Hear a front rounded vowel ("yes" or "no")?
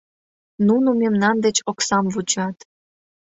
no